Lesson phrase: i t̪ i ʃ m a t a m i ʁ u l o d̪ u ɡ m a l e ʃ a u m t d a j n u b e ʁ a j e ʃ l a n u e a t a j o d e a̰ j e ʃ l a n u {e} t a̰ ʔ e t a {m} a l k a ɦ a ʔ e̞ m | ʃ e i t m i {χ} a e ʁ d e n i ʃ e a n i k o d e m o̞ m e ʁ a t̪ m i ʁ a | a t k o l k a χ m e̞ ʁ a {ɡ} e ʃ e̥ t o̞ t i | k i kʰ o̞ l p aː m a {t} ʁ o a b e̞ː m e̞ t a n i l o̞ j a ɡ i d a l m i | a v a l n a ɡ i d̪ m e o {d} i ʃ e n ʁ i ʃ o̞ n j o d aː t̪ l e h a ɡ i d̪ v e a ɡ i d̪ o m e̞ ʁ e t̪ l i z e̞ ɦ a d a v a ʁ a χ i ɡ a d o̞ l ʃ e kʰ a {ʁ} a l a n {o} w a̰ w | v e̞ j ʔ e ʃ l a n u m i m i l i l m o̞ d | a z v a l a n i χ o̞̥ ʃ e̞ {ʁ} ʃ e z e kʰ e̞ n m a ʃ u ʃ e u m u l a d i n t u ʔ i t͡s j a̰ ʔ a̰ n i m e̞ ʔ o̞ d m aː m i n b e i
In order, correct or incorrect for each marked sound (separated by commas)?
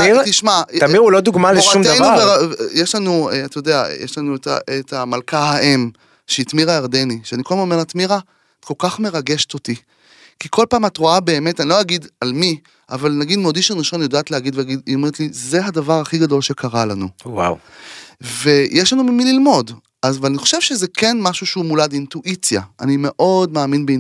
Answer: correct, correct, incorrect, correct, correct, correct, correct, incorrect, incorrect